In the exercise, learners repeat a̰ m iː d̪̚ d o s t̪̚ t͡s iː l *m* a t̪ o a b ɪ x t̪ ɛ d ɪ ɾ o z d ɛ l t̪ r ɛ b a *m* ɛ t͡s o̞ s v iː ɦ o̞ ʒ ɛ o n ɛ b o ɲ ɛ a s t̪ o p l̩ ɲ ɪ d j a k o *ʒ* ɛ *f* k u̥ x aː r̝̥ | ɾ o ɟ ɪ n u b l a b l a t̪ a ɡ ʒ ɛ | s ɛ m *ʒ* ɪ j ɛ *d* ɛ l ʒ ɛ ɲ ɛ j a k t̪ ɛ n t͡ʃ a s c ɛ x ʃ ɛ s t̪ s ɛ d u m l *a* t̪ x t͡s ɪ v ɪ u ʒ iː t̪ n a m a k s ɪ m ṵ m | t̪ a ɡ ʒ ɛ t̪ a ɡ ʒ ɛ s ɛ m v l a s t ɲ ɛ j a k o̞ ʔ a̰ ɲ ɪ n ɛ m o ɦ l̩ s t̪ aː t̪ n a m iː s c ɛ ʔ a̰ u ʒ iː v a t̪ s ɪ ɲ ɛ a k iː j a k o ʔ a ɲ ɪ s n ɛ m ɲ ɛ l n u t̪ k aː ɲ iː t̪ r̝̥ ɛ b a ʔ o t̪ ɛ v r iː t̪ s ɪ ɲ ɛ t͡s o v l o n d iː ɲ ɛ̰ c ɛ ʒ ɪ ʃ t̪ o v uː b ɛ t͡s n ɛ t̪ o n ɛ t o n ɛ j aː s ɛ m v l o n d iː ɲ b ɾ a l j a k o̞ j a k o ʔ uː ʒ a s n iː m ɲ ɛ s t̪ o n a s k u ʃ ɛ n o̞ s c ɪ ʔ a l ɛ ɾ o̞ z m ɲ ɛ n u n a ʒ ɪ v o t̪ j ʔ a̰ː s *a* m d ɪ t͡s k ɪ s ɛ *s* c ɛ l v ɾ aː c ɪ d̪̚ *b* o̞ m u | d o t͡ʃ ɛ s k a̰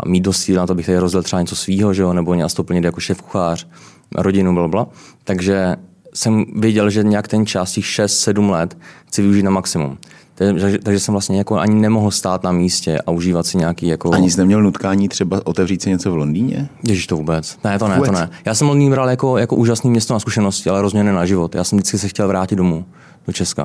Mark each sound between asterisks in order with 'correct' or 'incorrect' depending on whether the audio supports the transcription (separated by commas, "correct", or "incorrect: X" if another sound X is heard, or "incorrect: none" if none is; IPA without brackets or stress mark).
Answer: incorrect: n, incorrect: ɲ, incorrect: ʃ, correct, incorrect: v, incorrect: ɟ, incorrect: ɛ, incorrect: ɛ, incorrect: x, incorrect: d